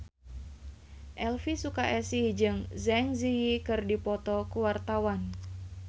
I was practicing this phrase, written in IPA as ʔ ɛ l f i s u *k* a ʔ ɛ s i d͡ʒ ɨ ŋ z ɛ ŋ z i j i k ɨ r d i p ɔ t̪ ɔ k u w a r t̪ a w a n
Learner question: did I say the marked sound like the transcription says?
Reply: yes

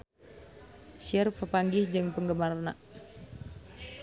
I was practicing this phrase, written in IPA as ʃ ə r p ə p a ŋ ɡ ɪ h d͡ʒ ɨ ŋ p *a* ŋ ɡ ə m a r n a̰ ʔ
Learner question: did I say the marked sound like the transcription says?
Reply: no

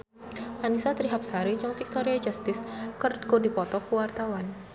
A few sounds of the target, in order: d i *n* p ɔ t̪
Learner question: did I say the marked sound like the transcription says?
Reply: no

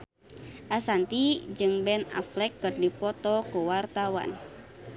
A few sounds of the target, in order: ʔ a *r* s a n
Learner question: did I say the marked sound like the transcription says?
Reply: no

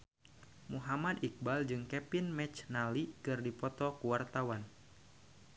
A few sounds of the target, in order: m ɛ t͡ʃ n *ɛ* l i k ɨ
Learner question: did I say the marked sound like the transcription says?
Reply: no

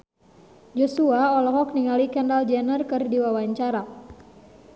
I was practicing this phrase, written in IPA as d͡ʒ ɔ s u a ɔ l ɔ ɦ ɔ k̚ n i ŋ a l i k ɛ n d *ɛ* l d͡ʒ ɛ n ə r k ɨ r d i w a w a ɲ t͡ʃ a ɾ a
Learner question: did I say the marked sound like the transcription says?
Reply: no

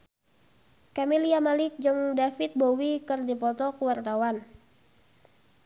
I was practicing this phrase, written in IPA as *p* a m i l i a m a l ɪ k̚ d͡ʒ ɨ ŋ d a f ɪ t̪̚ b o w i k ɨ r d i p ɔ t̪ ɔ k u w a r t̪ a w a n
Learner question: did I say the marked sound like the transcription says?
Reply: no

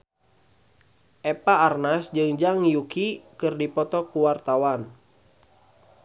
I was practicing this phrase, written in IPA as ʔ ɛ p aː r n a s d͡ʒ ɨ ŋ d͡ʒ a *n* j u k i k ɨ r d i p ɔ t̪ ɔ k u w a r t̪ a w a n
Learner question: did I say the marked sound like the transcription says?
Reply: no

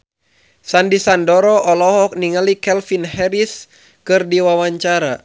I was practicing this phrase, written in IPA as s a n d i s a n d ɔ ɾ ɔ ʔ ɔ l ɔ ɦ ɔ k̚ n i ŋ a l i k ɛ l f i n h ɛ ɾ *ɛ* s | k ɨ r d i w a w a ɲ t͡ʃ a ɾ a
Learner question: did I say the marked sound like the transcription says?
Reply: no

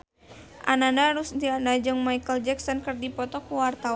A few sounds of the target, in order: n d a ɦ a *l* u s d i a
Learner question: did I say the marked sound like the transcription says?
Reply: no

